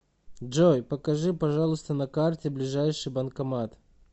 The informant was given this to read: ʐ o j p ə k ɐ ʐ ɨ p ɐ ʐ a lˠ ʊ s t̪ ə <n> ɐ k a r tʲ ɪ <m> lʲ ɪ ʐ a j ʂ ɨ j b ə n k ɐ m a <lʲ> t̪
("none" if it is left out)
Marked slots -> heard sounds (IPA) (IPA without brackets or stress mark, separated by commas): n, b, none